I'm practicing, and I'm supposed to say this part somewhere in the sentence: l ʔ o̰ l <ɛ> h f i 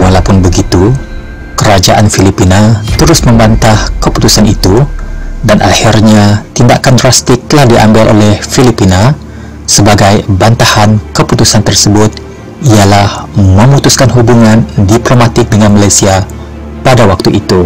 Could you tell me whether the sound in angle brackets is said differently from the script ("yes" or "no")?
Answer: no